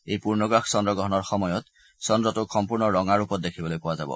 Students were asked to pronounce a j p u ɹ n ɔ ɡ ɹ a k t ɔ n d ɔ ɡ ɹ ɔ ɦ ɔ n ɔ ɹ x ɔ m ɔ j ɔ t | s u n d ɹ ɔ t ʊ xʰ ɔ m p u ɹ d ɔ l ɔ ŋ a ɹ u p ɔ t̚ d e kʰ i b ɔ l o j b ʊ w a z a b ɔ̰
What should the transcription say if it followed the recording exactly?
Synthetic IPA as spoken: e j p u ɹ n ɔ ɡ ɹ a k s ɔ n d ɔ ɡ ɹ ɔ ɦ ɔ n ɔ ɹ x ɔ m ɔ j ɔ t | s ɔ n d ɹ ɔ t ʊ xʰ ɔ m p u ɹ n ɔ ɹ ɔ ŋ a ɹ u p ɔ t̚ d e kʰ i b ɔ l o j p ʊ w a z a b ɔ̰